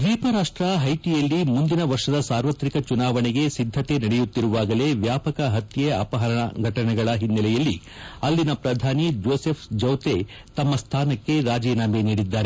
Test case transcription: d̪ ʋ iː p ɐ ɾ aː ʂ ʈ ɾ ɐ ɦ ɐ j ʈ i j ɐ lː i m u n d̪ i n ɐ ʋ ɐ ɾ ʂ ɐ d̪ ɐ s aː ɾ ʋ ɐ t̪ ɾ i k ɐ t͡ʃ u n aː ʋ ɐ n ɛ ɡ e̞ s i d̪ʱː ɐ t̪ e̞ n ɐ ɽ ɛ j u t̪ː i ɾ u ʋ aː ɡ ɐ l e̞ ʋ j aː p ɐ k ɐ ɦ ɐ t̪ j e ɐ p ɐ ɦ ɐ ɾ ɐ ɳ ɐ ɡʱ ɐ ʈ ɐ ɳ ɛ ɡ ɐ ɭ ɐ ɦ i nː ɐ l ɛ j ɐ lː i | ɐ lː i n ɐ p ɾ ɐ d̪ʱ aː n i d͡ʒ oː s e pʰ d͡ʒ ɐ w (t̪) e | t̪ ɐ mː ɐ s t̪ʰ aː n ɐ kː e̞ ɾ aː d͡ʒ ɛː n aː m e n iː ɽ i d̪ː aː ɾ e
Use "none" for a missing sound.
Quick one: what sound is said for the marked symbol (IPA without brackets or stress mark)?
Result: t̪